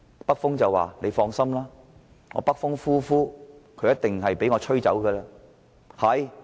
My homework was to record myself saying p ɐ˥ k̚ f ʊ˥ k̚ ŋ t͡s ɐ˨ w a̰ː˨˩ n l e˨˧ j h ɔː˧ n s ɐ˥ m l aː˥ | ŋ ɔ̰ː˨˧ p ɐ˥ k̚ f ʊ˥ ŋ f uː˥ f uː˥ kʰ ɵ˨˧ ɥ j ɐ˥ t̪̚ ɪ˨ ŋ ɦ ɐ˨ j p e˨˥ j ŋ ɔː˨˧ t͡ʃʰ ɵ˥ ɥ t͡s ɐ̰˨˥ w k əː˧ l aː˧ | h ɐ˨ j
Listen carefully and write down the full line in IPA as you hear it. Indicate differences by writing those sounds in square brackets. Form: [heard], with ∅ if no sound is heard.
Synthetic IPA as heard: p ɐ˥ k̚ f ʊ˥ [∅] ŋ t͡s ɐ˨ w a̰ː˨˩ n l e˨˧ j [f] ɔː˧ [ŋ] s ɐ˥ m l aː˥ | ŋ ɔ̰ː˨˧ p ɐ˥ k̚ f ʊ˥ ŋ f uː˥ f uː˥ kʰ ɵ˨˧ ɥ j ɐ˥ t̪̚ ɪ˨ ŋ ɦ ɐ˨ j p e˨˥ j ŋ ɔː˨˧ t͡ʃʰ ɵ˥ ɥ t͡s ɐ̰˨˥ w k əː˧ l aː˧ | h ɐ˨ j

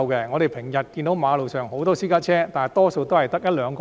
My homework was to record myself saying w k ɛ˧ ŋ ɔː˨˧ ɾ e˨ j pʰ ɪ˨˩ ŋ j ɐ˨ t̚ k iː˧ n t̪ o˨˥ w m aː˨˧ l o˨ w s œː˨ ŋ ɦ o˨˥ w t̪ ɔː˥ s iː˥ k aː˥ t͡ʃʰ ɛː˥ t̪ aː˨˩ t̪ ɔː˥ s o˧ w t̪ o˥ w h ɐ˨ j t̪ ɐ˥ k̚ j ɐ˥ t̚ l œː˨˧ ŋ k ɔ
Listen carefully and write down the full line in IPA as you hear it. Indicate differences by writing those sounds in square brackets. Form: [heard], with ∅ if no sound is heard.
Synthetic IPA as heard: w k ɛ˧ ŋ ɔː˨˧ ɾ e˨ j pʰ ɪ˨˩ ŋ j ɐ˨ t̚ k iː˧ n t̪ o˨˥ w m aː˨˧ l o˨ w s œː˨ ŋ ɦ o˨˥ w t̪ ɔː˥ s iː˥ k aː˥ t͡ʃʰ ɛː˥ t̪ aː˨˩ t̪ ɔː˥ s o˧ w t̪ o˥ w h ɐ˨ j t̪ ɐ˥ k̚ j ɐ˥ t̚ l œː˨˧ ŋ k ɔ

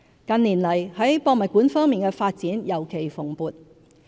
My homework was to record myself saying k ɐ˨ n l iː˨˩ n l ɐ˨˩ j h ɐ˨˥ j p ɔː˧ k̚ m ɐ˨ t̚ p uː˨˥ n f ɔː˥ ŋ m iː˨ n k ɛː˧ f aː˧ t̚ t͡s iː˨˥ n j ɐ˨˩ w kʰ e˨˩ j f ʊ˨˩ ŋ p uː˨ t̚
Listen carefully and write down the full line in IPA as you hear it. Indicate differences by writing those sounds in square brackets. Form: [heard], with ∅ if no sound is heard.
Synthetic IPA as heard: k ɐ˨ n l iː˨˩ n l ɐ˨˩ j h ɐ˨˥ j p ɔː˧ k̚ m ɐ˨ t̚ [k] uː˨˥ n f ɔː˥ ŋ m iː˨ n k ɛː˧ f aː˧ t̚ t͡s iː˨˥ n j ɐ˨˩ w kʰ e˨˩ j f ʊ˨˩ ŋ p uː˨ t̚

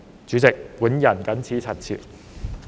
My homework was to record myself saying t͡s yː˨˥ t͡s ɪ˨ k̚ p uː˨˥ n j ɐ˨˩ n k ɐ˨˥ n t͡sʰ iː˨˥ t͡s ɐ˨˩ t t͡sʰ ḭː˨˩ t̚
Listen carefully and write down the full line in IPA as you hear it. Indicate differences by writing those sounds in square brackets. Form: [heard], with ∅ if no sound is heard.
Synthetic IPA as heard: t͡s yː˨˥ t͡s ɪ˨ k̚ p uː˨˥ n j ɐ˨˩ n k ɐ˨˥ n t͡sʰ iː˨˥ [t͡sʰ] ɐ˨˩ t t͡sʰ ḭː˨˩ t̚

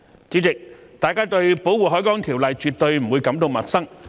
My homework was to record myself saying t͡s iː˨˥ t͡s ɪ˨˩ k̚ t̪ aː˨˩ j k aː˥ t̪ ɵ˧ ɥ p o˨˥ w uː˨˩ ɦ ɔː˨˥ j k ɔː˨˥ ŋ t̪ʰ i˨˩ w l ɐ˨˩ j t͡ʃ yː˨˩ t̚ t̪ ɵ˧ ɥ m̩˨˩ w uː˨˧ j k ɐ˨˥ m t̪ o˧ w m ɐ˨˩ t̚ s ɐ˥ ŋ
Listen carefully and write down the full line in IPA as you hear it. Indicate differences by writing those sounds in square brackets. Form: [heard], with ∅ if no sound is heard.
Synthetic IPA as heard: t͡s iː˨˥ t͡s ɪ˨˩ k̚ t̪ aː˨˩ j k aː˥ t̪ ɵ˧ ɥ p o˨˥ w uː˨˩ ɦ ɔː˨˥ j k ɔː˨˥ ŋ t̪ʰ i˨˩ w l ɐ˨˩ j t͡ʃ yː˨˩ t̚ t̪ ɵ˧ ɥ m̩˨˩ w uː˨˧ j k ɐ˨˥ m t̪ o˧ w m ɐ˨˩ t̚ s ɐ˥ ŋ

